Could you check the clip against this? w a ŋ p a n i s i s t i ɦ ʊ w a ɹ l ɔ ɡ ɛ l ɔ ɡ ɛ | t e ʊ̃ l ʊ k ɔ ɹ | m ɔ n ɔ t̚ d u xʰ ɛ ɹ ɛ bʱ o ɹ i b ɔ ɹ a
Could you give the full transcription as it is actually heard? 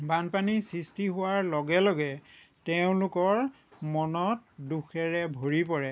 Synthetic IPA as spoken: b a n p a n i s i s t i ɦ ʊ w a ɹ l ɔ ɡ ɛ l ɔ ɡ ɛ | t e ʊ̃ l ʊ k ɔ ɹ | m ɔ n ɔ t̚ d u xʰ ɛ ɹ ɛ bʱ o ɹ i p ɔ ɹ ɛ